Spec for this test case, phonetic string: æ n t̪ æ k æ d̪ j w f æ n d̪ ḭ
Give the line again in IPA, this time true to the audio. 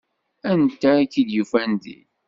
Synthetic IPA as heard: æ n t̪ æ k i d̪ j u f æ n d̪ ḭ